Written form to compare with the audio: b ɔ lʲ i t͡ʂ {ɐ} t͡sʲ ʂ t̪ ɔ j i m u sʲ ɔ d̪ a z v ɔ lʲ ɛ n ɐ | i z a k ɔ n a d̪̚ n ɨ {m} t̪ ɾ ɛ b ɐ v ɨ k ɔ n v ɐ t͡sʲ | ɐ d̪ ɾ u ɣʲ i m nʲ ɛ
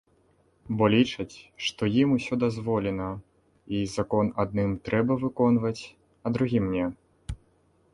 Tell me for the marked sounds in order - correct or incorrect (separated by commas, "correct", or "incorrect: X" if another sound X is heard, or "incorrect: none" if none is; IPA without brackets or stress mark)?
correct, correct